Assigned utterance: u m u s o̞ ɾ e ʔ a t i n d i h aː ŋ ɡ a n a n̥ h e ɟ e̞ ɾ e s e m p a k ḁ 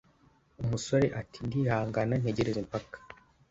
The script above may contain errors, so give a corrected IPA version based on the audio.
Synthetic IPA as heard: u m u s o̞ ɾ e ʔ a t i n d i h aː ŋ ɡ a n a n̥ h e ɟ e̞ ɾ e z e m p a k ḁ